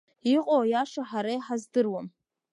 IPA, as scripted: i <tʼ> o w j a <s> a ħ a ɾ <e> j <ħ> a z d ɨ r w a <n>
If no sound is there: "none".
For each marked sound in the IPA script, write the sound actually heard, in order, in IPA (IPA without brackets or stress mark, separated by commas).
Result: qʼ, ʂ, a, ħ, m